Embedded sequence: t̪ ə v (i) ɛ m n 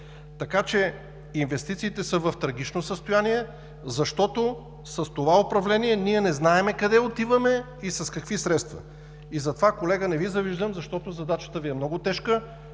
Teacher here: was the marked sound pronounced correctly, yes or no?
yes